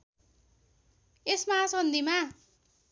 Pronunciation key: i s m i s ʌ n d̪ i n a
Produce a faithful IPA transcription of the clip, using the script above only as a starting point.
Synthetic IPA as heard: e s m a s ʌ n d̪ i m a